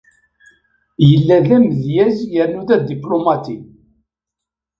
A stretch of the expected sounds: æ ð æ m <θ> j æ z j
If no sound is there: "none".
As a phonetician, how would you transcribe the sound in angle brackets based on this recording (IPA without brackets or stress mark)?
ð